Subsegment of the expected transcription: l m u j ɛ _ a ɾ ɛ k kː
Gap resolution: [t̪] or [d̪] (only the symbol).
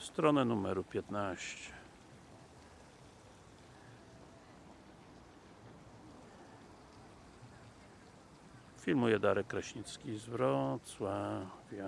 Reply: d̪